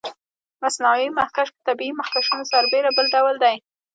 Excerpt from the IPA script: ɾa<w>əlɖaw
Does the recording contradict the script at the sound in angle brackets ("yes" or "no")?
yes